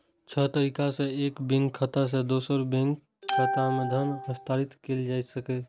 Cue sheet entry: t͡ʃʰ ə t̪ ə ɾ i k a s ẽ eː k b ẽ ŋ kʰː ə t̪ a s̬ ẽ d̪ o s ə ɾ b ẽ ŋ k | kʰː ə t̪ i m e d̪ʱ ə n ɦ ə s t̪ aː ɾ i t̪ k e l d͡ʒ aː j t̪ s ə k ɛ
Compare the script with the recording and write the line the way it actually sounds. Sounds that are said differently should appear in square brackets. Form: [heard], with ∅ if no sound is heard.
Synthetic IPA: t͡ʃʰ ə t̪ ə ɾ i k a s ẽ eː k b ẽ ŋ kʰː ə t̪ a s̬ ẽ d̪ o s ə ɾ b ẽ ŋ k | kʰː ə t̪ [a] m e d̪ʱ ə n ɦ ə s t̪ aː ɾ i t̪ k e l d͡ʒ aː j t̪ s ə k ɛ